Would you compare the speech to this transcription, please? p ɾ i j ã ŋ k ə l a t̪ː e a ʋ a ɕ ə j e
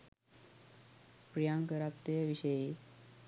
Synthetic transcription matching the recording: p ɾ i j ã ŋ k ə ɾ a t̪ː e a ʋ i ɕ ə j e